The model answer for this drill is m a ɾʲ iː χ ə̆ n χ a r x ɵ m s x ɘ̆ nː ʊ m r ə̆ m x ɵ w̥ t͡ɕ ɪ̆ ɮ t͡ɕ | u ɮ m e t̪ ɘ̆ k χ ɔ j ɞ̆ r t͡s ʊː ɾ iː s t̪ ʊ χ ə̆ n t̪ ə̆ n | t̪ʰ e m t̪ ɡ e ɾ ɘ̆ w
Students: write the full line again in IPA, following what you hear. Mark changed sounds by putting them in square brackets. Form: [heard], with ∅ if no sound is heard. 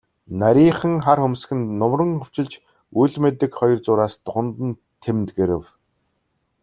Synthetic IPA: [n] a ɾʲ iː χ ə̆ [ŋ] χ a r x ɵ m s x ɘ̆ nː ʊ m r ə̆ [ŋ] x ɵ w̥ t͡ɕ ɪ̆ ɮ t͡ɕ | u ɮ m e t̪ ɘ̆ k χ ɔ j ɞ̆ r t͡s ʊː ɾ [aː] s t̪ ʊ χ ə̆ n t̪ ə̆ n | t̪ʰ e m t̪ ɡ e ɾ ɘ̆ w